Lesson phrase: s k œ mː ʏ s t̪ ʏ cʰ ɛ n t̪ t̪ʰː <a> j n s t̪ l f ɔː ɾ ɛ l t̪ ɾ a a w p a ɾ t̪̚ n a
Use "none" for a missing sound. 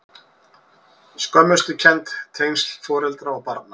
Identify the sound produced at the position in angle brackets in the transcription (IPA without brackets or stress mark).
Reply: e